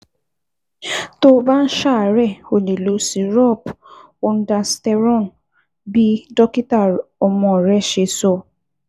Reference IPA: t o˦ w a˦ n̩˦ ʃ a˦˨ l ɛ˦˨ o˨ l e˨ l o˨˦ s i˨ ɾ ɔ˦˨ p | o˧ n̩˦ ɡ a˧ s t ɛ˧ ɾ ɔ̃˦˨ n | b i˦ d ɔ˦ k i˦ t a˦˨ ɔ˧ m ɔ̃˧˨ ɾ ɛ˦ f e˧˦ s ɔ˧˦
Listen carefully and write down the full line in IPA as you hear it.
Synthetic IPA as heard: t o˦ b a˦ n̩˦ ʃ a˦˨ ɾ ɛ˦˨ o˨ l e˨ l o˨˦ s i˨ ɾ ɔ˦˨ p | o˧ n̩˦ d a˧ s t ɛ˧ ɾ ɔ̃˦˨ n | b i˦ d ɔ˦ k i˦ t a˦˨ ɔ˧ m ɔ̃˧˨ ɾ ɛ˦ ʃ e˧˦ s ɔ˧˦

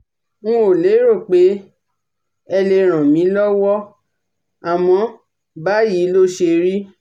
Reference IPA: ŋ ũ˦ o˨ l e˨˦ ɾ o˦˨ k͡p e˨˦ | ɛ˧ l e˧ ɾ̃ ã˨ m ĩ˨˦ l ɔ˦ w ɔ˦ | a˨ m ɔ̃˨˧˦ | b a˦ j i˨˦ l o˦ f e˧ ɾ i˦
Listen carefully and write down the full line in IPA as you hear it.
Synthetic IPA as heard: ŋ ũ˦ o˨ l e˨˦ ɾ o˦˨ k͡p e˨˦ | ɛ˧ l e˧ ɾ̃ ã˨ m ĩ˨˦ l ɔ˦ w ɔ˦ | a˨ m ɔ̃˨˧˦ | b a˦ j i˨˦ l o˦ ʃ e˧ ɾ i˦

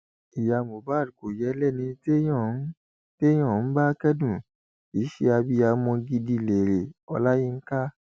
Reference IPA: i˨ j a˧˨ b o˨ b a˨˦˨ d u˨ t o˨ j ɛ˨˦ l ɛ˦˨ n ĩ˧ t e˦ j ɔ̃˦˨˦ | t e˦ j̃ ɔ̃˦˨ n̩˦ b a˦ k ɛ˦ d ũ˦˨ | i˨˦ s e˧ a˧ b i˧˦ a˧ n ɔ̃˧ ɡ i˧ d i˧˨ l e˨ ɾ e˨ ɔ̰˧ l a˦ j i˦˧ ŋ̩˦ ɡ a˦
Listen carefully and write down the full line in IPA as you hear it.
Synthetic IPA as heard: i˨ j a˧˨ m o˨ b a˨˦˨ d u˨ k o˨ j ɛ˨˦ l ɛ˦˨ n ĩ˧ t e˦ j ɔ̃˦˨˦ | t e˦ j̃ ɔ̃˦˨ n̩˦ b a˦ k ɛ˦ d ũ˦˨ | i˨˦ ʃ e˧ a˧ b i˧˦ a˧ m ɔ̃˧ ɡ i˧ d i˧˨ l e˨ ɾ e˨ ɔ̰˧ l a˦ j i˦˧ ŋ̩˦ k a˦

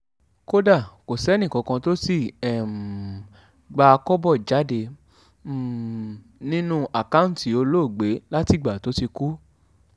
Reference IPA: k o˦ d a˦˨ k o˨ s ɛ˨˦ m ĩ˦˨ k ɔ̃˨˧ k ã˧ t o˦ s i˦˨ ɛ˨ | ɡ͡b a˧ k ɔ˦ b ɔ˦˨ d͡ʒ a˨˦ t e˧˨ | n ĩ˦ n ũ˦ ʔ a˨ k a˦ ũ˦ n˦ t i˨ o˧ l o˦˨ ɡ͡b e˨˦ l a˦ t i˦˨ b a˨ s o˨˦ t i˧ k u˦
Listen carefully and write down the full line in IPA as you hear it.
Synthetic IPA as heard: k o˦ d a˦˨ k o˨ s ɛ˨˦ n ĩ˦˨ k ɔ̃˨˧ k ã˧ t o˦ s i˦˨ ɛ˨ | ɡ͡b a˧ k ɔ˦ b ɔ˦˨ d͡ʒ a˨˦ d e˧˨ | n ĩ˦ n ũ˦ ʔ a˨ k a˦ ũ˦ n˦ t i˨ o˧ l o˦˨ ɡ͡b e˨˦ l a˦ t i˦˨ ɡ͡b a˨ t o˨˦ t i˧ k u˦

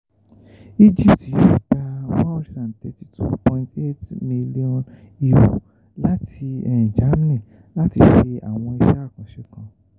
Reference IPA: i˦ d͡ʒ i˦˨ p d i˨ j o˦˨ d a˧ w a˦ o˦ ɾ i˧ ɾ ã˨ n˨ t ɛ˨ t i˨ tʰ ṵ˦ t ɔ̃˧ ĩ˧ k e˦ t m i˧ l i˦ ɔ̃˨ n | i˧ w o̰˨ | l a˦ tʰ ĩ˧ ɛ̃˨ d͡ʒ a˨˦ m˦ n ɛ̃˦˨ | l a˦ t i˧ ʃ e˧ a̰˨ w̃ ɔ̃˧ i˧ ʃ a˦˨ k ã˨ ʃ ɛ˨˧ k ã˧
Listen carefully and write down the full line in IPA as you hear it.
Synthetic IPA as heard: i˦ d͡ʒ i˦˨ p t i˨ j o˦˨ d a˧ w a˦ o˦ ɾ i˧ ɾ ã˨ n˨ t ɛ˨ t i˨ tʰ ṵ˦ p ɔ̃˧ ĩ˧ t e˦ t m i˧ l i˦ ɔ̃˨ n | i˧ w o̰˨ | l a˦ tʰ i˧ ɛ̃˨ d͡ʒ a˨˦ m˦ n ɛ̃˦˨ | l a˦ t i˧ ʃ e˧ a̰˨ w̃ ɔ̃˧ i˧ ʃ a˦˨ k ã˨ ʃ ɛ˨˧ k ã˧

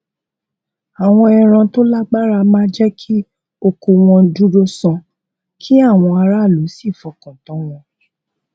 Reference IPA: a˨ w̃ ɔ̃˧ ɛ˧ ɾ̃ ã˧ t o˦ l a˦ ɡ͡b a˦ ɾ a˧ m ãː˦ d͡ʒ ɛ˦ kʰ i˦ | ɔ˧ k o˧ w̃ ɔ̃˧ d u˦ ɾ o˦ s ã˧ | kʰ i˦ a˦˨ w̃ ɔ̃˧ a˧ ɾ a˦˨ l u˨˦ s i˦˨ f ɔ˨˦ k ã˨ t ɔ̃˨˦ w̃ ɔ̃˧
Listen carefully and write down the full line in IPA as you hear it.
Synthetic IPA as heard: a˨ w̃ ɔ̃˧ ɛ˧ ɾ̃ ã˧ t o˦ l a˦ ɡ͡b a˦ ɾ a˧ m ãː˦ d͡ʒ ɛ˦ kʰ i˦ | o˧ k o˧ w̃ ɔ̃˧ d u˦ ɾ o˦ s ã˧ | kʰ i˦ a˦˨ w̃ ɔ̃˧ a˧ ɾ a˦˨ l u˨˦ s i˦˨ f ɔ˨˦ k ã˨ t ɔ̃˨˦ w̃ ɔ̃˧

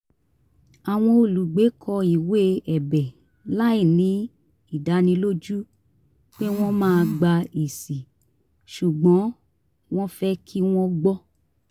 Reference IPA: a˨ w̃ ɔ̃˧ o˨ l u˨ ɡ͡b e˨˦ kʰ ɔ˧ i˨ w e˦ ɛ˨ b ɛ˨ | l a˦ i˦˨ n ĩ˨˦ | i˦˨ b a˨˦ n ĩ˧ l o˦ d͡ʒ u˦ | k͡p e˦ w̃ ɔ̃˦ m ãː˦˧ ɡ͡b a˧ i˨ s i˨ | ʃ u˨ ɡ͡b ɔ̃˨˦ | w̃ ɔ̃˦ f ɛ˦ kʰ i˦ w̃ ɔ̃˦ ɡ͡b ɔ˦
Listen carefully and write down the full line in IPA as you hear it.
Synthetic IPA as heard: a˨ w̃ ɔ̃˧ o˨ l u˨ ɡ͡b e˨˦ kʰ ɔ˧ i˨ w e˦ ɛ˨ b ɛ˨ | l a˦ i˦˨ n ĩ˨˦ | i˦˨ d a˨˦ n ĩ˧ l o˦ d͡ʒ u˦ | k͡p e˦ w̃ ɔ̃˦ m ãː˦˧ ɡ͡b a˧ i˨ s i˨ | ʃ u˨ ɡ͡b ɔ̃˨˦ | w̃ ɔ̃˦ f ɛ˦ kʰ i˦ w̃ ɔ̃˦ ɡ͡b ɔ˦

